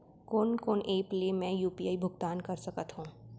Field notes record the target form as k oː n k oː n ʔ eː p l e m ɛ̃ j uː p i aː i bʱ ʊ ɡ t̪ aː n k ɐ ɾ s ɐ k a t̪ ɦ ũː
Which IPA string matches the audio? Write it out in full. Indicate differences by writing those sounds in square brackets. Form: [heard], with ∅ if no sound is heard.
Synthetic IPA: k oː n k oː n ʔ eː p l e m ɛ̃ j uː p i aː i bʱ ʊ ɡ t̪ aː n k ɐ ɾ s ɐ k [ə] t̪ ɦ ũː